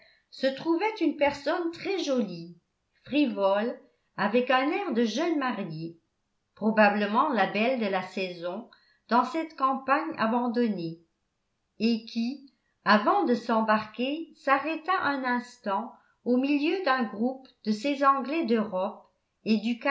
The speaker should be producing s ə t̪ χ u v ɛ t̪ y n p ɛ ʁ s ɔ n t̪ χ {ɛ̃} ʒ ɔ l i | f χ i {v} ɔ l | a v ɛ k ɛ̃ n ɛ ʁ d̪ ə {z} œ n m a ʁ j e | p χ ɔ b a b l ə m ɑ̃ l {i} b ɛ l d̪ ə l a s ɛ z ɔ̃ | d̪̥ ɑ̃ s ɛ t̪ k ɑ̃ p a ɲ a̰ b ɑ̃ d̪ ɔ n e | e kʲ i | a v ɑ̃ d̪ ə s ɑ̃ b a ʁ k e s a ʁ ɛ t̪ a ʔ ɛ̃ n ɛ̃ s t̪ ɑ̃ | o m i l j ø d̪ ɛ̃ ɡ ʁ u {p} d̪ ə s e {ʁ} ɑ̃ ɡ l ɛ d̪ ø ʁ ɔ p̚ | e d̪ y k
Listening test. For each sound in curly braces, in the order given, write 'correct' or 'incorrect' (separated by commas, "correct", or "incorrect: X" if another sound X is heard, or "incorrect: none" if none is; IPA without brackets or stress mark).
incorrect: ɛ, correct, incorrect: ʒ, incorrect: a, correct, incorrect: z